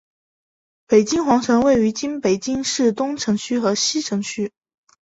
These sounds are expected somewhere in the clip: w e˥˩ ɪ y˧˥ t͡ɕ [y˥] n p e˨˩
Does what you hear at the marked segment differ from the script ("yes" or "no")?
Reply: yes